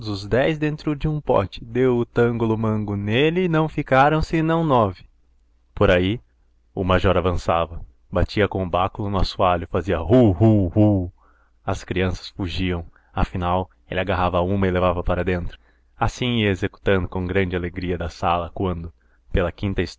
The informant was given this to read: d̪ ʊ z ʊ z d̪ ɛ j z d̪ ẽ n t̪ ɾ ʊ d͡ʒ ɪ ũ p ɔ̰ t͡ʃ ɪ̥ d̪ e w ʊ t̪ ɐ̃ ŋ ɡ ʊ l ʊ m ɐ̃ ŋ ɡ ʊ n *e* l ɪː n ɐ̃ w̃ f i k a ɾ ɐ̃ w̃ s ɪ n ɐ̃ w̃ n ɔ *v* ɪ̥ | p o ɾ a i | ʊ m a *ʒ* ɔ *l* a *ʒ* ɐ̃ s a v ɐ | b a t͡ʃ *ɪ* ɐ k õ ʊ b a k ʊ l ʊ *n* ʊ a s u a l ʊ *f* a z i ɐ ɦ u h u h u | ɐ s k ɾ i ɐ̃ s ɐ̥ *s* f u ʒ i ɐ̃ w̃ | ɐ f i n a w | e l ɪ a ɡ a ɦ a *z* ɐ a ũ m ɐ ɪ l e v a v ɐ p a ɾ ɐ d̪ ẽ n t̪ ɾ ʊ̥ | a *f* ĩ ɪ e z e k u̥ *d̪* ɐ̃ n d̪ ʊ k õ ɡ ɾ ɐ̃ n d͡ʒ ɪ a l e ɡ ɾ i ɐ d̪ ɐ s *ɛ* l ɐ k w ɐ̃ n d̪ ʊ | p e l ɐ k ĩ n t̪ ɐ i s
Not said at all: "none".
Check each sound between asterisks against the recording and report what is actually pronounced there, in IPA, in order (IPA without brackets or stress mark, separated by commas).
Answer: e, v, ʒ, ɾ, v, i, n, f, s, v, s, t̪, a